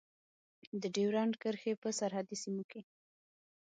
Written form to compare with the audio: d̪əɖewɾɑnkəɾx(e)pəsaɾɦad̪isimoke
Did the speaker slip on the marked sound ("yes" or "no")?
no